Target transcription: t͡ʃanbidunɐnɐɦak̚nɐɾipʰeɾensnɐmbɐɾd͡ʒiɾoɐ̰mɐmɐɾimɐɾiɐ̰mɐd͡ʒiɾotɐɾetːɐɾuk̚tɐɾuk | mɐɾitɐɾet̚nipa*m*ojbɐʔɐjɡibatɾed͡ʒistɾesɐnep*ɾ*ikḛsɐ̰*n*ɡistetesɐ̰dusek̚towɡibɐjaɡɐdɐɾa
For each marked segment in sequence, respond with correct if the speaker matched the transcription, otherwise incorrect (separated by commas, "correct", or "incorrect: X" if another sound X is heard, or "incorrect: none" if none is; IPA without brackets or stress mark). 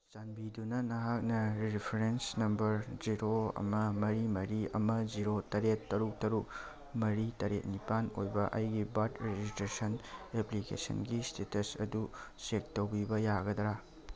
incorrect: n, incorrect: l, correct